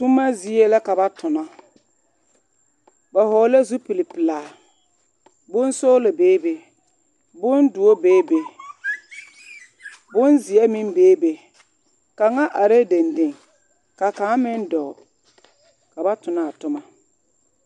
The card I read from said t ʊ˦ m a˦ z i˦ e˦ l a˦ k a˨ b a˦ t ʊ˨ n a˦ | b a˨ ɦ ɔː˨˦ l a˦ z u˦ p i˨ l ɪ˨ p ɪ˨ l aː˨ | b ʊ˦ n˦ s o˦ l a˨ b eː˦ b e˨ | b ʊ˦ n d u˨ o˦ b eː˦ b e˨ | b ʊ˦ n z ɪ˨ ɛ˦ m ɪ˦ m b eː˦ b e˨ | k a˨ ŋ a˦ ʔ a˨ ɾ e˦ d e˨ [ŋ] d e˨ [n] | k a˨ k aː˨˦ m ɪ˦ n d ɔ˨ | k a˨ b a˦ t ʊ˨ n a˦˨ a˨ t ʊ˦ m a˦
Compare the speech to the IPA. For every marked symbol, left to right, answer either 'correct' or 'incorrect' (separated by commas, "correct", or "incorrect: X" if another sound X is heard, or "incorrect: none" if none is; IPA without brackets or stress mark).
incorrect: n, incorrect: ŋ